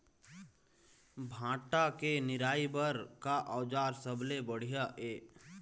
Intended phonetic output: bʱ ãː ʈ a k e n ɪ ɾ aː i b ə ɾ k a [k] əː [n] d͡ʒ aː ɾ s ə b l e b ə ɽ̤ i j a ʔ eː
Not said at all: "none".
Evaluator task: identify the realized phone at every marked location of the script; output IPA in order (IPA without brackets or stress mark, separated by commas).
ʔ, none